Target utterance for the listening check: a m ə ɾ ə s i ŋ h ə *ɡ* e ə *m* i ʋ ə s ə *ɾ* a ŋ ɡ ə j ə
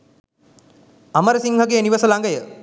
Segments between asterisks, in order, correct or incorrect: correct, incorrect, incorrect

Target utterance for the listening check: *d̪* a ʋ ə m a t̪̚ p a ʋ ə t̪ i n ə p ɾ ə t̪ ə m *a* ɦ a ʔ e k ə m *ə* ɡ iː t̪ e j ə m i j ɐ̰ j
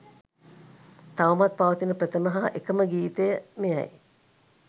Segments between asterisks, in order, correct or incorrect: incorrect, incorrect, correct

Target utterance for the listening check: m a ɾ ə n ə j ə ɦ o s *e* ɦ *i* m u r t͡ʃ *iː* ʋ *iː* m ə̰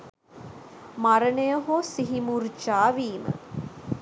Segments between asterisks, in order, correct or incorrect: incorrect, correct, incorrect, correct

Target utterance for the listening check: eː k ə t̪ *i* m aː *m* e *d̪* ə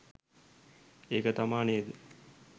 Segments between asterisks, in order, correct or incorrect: incorrect, incorrect, correct

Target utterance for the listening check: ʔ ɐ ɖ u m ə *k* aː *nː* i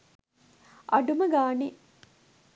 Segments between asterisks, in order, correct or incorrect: incorrect, incorrect

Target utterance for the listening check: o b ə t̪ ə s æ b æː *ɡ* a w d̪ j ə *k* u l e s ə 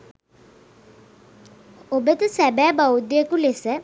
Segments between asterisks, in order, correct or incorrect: incorrect, correct

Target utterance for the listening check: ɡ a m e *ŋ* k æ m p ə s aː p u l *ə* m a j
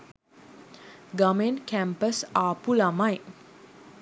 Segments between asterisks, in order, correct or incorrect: incorrect, incorrect

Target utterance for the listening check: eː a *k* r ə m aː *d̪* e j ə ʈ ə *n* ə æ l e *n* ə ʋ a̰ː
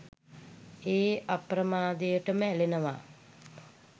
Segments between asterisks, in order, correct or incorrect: incorrect, correct, incorrect, correct

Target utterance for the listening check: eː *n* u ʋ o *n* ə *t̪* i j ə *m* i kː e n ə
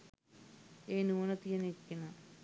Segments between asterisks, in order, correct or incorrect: correct, correct, correct, incorrect

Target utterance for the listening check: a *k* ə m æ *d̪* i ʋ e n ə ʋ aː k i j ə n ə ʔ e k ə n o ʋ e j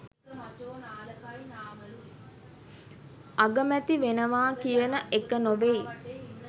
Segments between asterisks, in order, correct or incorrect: incorrect, incorrect

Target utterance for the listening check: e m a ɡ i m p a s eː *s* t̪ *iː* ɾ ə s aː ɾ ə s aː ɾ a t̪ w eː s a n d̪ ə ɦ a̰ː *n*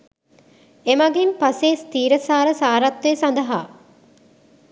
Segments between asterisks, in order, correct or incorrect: correct, correct, incorrect

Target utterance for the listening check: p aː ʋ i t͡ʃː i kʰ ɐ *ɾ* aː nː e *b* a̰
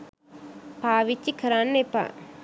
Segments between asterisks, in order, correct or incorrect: correct, incorrect

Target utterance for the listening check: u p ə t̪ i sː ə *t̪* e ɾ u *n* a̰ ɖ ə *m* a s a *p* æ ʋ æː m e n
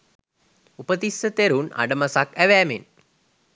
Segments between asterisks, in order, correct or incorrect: correct, correct, correct, incorrect

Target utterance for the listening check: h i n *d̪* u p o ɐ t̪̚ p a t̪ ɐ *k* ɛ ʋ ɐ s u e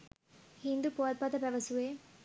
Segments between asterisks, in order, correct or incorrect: correct, incorrect

